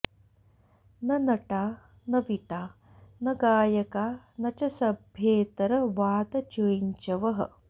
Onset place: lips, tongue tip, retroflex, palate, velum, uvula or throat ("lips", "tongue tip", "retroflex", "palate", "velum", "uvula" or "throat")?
tongue tip